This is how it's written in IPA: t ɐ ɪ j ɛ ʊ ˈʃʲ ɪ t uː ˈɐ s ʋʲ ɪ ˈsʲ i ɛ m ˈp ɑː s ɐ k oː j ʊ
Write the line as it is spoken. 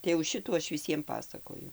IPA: t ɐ ɪ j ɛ ʊ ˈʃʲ ɪ t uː ˈɐ ʃ ʋʲ ɪ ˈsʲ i ɛ m ˈp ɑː s ɐ k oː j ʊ